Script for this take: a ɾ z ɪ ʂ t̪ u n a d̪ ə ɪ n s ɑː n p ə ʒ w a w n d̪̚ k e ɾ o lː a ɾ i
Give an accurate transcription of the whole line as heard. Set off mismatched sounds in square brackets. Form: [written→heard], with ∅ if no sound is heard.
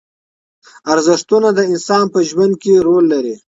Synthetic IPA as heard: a ɾ z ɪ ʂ t̪ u n a d̪ ə ɪ n s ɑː n p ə ʒ w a [w→∅] n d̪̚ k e ɾ o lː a ɾ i